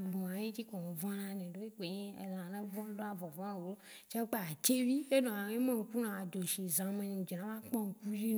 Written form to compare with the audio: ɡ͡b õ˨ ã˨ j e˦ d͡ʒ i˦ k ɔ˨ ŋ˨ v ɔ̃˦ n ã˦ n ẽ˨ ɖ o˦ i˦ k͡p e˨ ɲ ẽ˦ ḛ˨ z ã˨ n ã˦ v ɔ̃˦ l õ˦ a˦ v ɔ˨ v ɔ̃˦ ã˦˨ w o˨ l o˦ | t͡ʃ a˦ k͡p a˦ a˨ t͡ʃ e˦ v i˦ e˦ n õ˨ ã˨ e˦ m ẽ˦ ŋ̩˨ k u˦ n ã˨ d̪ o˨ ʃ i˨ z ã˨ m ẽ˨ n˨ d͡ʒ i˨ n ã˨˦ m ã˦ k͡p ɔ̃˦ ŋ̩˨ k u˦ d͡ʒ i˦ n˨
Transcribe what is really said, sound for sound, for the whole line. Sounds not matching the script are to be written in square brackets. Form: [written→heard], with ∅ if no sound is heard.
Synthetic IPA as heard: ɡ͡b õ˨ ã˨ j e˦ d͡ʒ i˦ k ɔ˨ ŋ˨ v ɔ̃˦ n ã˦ n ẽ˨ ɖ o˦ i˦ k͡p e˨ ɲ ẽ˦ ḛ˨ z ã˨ n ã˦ v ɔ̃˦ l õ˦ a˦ v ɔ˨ v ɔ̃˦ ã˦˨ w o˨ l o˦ | t͡ʃ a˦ k͡p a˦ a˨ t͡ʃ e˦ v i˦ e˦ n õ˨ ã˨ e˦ m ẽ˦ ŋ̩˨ k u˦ n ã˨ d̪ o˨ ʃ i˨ z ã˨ m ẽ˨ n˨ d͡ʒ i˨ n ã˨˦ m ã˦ k͡p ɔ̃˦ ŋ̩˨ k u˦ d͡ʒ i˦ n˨